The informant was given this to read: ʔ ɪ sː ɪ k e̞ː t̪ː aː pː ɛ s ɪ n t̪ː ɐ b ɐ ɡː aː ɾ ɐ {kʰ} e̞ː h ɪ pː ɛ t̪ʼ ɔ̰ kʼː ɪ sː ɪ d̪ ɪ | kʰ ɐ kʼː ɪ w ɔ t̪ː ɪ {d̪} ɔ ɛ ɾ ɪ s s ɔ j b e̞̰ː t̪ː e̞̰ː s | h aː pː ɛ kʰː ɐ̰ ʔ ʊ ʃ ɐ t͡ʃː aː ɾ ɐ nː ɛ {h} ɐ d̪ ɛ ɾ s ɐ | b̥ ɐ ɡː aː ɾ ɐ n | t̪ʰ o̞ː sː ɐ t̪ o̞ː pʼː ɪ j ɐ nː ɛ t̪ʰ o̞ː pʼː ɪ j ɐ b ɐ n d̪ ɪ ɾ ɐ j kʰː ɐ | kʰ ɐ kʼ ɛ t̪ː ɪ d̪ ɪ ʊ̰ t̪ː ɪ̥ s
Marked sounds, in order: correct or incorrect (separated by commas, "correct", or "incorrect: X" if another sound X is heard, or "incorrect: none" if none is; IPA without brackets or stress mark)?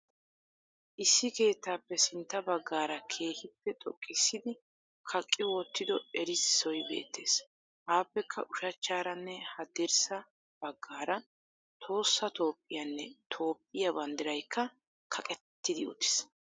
correct, correct, correct